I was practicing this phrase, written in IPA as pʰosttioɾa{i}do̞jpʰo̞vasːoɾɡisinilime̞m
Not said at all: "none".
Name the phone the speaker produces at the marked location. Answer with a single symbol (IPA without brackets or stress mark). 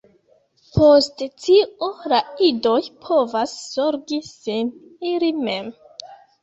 i